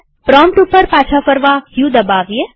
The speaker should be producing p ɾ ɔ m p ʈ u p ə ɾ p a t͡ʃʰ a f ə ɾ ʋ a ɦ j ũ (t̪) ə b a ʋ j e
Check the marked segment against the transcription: incorrect: d̪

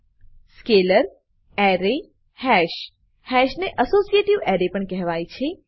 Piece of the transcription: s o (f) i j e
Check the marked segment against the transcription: incorrect: s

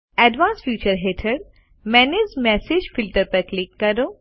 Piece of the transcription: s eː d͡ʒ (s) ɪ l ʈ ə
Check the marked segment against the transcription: incorrect: f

